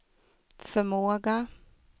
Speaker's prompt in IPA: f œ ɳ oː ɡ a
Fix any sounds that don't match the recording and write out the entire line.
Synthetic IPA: f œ m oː ɡ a

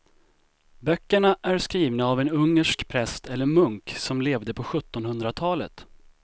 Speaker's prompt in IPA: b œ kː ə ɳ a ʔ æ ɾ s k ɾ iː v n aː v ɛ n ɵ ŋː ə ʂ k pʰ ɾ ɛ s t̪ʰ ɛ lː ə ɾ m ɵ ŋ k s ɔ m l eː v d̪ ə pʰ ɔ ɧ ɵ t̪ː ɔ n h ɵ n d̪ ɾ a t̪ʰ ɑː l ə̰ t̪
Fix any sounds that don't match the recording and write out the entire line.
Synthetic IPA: b œ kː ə ɳ a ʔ æ ɾ s k ɾ iː v n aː v ɛ n ɵ ŋː ə ʂ k pʰ ɾ ɛ s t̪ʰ ɛ lː ə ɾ m ɵ ŋ k s ɔ m l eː v d̪ ə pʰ ɔ ɧ ɵ t̪ː ɔ n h ɵ n d̪ ɾ a t̪ʰ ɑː l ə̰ t̪

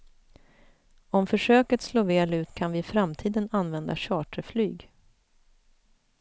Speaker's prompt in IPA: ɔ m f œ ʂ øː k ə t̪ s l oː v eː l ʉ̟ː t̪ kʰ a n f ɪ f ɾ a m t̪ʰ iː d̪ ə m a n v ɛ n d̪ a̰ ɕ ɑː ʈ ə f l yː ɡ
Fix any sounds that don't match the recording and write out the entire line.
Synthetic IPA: ɔ m f œ ʂ øː k ə t̪ s l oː v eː l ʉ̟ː t̪ kʰ a n v ɪ f ɾ a m t̪ʰ iː d̪ ə n a n v ɛ n d̪ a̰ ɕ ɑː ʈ ə f l yː ɡ

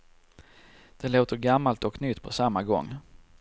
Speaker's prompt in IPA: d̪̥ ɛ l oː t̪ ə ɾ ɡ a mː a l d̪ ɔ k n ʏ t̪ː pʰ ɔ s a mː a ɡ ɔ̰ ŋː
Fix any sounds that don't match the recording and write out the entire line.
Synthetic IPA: d̪̥ ɛ l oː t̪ ə ɾ ɡ a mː a l t̪ ɔ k n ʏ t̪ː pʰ ɔ s a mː a ɡ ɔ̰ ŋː

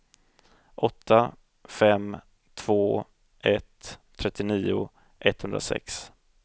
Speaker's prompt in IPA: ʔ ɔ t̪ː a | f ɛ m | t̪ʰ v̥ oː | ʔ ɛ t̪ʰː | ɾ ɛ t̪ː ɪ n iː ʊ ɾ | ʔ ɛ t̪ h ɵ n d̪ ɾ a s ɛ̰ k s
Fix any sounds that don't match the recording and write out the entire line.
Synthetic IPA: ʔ ɔ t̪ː a | f ɛ m | t̪ʰ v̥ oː | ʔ ɛ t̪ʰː | ɾ ɛ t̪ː ɪ n iː ʊ | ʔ ɛ t̪ h ɵ n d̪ ɾ a s ɛ̰ k s

